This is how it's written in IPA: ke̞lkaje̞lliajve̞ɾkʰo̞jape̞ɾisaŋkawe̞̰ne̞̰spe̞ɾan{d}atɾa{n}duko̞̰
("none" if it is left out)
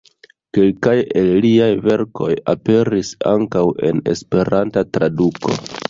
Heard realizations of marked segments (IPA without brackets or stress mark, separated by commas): t, none